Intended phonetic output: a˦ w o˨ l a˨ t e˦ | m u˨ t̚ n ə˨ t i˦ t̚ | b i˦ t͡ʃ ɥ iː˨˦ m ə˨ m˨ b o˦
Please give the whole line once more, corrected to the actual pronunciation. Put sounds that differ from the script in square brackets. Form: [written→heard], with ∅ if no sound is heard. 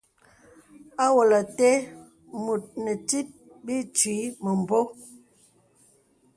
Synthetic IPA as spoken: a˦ w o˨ l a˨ t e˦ | m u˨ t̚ n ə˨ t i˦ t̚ | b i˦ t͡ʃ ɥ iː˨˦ m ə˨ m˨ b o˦